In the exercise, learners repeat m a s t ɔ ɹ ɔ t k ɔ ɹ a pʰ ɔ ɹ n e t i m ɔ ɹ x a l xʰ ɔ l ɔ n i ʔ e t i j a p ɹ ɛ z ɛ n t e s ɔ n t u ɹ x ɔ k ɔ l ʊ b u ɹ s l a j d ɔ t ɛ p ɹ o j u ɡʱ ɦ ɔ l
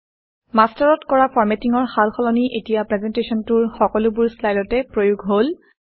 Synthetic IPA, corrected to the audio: m a s t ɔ ɹ ɔ t k ɔ ɹ a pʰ ɔ ɹ m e t i ŋ ɔ ɹ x a l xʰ ɔ l ɔ n i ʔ e t i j a p ɹ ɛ z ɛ n t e s ɔ n t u ɹ x ɔ k ɔ l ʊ b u ɹ s l a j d ɔ t ɛ p ɹ o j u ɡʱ ɦ o l